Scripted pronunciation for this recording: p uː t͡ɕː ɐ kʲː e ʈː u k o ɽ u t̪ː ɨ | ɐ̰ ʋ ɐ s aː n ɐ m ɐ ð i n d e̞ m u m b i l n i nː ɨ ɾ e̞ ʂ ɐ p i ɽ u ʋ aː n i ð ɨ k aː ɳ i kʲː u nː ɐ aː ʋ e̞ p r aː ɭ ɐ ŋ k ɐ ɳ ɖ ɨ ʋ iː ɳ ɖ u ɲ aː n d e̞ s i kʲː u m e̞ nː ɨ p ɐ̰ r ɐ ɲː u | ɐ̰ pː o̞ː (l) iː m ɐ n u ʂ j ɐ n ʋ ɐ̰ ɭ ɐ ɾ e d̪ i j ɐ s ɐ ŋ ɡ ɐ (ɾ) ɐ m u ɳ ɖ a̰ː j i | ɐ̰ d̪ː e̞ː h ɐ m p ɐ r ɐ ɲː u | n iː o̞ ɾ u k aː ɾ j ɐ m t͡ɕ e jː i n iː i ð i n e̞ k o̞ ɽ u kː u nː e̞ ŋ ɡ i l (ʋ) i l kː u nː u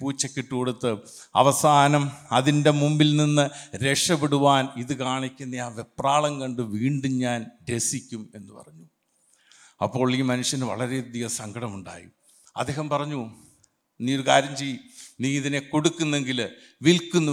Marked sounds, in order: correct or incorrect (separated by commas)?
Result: incorrect, incorrect, correct